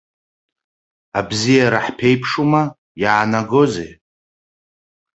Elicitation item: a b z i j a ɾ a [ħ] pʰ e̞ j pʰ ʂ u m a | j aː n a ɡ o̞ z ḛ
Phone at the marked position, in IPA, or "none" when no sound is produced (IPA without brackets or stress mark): ħ